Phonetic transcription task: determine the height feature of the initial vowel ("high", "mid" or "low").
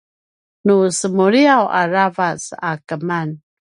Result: high